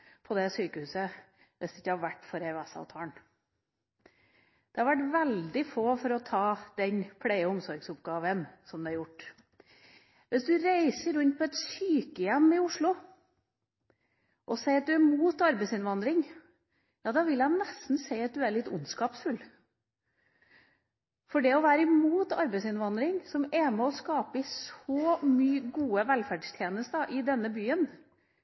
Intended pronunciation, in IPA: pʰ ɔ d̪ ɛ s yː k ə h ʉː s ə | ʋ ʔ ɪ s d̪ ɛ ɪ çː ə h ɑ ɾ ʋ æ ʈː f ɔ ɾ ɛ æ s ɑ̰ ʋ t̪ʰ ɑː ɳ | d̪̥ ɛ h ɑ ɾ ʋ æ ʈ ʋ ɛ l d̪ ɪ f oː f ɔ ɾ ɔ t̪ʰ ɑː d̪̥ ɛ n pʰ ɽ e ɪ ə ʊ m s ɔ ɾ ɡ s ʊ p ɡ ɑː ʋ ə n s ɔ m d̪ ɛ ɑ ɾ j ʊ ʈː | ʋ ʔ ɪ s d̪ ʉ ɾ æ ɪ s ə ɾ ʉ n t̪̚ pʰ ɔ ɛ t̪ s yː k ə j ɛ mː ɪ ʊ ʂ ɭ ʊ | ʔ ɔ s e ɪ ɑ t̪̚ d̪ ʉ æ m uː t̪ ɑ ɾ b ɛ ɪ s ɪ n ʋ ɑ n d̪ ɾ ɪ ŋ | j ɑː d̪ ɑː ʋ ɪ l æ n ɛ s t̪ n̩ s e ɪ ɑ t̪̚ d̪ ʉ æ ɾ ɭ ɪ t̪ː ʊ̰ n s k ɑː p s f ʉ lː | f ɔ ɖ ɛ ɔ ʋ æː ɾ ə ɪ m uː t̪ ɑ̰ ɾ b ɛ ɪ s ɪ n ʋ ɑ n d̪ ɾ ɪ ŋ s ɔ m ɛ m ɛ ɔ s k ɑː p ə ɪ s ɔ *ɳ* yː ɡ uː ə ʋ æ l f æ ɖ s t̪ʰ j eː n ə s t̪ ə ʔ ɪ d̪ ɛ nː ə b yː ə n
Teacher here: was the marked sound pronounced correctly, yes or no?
no